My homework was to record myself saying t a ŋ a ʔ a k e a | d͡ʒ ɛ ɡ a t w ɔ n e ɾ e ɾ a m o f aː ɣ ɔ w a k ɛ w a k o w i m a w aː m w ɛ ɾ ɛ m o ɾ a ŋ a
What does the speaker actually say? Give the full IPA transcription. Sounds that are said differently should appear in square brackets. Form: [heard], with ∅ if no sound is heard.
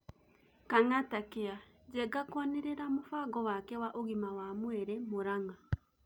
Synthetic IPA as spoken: [k] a ŋ a [t] a k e a | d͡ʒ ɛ ɡ a [k] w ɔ n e ɾ e ɾ a m o f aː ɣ ɔ w a k ɛ w a [ʔ] o [ɣ] i m a w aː m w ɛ ɾ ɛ m o ɾ a ŋ a